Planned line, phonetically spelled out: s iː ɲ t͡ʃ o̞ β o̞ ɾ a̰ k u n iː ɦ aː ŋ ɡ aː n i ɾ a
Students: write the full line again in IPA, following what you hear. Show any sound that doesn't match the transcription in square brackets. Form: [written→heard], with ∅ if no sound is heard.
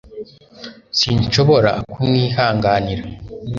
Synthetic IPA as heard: s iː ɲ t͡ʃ o̞ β o̞ ɾ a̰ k u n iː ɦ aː ŋ ɡ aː n i ɾ a